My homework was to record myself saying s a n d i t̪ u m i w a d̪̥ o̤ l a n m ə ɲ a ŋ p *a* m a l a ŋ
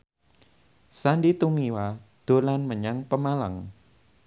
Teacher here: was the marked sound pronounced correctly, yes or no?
no